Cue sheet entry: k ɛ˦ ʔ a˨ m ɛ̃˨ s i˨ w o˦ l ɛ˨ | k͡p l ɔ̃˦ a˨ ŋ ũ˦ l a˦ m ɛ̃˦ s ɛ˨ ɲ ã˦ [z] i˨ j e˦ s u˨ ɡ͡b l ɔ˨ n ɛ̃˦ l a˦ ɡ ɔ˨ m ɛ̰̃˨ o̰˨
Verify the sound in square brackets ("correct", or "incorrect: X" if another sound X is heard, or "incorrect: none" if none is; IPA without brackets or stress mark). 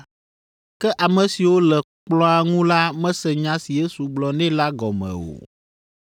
incorrect: s